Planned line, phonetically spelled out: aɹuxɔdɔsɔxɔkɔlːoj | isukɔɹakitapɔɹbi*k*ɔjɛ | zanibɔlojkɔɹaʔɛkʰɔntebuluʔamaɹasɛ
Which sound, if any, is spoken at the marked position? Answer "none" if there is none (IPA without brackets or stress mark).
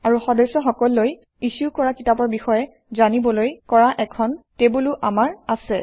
x